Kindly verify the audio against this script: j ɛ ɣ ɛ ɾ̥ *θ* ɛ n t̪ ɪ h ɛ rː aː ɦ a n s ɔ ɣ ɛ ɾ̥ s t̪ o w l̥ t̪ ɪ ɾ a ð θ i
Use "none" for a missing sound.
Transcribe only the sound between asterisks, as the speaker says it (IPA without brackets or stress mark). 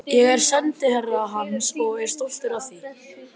s